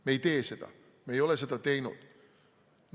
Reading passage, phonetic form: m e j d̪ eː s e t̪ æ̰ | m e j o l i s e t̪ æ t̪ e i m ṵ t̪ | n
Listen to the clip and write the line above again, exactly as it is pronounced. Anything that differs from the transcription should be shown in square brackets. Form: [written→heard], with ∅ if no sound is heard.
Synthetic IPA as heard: m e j [d̪→t̪] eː s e t̪ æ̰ | m e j o l [i→e] s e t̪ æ t̪ e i [m→n] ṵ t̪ | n